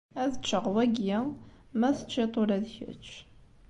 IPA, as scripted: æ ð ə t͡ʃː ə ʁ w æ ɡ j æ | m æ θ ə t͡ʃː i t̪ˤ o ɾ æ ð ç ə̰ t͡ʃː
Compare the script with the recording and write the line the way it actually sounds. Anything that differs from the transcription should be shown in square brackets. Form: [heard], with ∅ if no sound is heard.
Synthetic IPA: æ ð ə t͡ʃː ə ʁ w æ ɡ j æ | m æ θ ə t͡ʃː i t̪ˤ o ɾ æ ð ç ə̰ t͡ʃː